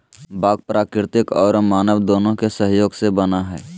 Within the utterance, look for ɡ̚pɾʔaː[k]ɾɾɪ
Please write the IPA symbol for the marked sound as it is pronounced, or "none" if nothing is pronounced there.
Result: k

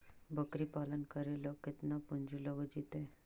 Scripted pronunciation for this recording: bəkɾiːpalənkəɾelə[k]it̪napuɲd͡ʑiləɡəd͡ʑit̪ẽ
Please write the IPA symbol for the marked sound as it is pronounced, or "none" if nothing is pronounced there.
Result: k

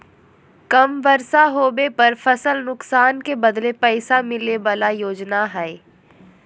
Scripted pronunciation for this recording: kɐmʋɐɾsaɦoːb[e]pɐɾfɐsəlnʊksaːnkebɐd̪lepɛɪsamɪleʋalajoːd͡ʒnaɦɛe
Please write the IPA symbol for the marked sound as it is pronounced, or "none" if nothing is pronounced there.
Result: e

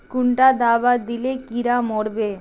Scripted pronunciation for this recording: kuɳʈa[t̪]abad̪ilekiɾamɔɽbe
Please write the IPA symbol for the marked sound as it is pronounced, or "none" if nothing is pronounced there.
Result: d̪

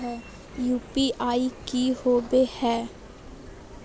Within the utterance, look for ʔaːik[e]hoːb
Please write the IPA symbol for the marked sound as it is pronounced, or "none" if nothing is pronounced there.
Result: i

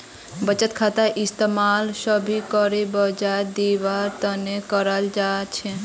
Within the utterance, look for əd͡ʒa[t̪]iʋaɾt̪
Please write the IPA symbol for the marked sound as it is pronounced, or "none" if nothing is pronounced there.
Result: d̪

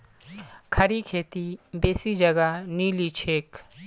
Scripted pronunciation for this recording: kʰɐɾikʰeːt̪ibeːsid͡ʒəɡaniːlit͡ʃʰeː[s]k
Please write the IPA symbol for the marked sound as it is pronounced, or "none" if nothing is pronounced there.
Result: none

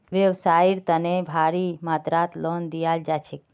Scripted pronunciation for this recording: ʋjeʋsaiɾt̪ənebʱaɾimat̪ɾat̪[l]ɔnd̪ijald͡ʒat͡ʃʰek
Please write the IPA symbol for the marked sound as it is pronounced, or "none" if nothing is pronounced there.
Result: l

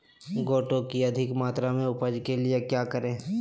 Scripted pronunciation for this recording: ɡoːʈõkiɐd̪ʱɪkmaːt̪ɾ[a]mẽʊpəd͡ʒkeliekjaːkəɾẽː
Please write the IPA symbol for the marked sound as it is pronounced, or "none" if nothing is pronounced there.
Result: a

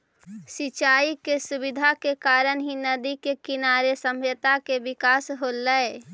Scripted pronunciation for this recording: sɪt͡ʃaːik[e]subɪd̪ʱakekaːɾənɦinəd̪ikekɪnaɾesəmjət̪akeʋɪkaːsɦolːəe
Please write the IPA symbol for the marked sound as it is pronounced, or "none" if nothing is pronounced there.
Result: e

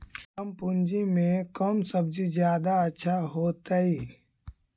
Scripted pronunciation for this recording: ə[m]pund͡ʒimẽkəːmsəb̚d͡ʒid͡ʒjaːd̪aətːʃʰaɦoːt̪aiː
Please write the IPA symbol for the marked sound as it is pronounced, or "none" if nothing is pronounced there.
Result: m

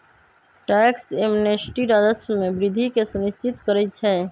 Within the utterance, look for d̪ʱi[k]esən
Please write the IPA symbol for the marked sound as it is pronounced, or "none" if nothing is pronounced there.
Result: k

